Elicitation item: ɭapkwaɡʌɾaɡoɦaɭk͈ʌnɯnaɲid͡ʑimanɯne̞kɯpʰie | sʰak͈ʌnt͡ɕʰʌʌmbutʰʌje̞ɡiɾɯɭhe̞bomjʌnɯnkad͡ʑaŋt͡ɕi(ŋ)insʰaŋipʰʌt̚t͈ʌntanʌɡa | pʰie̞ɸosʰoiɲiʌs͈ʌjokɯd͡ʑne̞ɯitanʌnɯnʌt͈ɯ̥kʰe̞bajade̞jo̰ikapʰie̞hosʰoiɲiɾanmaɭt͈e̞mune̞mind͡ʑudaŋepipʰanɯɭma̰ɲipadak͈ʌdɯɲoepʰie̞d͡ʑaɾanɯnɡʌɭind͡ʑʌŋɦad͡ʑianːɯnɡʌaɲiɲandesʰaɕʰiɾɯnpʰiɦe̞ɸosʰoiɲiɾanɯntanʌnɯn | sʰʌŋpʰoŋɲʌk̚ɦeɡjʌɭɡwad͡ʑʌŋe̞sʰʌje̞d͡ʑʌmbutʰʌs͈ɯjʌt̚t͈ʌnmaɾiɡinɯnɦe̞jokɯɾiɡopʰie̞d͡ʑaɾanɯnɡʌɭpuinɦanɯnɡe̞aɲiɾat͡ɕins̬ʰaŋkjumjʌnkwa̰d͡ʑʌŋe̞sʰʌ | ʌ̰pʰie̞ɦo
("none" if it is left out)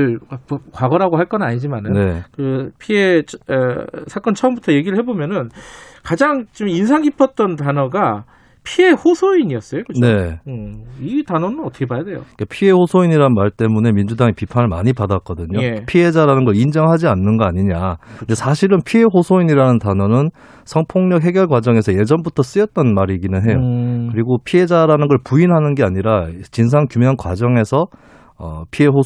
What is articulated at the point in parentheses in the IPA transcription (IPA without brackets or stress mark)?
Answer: m